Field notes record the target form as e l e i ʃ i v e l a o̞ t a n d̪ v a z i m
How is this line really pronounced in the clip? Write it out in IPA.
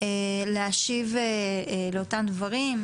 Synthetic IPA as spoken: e l e a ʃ i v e l e o̞ t a m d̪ v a ʁ i m